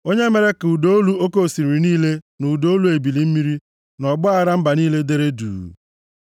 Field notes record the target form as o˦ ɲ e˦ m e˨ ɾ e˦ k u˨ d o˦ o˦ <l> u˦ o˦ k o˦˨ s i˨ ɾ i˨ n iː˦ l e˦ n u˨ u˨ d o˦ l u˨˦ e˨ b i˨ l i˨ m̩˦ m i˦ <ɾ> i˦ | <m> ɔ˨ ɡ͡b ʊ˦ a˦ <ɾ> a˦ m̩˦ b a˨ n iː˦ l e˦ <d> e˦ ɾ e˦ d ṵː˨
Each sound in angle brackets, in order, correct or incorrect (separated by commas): correct, correct, incorrect, correct, correct